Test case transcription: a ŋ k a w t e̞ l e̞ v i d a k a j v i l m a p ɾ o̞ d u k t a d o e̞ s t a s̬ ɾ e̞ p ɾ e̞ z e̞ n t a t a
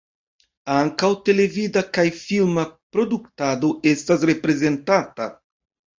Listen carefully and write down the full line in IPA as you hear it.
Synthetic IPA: a ŋ k a w t e̞ l e̞ v i d a k a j f i l m a p ɾ o̞ d u k t a d o e̞ s t a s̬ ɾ e̞ p ɾ e̞ z e̞ n t a t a